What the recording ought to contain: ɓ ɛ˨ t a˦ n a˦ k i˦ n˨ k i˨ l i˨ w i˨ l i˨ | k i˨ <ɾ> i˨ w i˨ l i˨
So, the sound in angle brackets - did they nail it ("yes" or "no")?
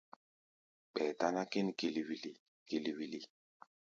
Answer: no